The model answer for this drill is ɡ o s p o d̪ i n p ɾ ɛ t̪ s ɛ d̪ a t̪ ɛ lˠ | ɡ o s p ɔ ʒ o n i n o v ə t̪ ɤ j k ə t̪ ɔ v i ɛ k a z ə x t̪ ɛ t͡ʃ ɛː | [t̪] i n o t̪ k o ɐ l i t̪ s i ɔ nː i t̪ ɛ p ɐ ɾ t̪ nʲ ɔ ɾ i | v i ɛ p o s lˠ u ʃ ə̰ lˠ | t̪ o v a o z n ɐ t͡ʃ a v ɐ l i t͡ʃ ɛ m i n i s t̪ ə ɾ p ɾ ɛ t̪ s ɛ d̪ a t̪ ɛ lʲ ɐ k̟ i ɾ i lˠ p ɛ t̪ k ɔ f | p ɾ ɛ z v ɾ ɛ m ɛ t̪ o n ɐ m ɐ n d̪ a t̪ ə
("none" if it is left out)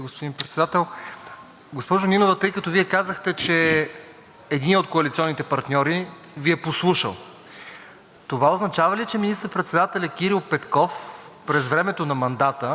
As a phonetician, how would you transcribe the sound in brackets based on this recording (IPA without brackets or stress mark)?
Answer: d̪